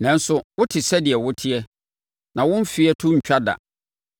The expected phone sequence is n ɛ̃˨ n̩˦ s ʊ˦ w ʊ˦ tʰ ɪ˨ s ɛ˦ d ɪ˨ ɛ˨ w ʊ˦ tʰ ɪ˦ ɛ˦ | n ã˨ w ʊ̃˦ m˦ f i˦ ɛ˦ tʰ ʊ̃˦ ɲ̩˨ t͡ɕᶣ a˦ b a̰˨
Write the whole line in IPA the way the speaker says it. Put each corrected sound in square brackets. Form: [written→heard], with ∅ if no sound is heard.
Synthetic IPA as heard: n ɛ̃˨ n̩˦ s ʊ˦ w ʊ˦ tʰ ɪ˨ s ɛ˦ d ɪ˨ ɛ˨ w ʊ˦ tʰ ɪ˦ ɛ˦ | n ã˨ w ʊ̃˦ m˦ f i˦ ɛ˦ tʰ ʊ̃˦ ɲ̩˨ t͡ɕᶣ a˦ [b→d] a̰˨